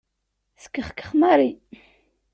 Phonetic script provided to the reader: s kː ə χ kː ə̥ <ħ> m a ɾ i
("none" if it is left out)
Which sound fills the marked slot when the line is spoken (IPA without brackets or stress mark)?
χ